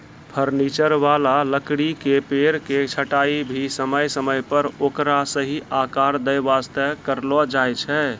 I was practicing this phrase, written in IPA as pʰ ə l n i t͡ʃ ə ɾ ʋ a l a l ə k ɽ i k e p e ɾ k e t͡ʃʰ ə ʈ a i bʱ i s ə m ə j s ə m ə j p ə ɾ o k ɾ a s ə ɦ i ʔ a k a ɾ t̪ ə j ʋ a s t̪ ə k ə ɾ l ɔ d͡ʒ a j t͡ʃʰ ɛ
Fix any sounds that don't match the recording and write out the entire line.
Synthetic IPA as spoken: pʰ ə ɾ n i t͡ʃ ə ɾ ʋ a l a l ə k ɽ i k e p e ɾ k e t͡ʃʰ ə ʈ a i bʱ i s ə m ə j s ə m ə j p ə ɾ o k ɾ a s ə ɦ i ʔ a k a ɾ d̪ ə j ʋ a s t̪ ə k ə ɾ l ɔ d͡ʒ a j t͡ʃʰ ɛ